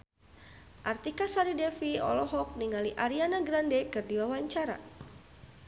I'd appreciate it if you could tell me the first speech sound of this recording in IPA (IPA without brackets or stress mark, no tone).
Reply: ʔ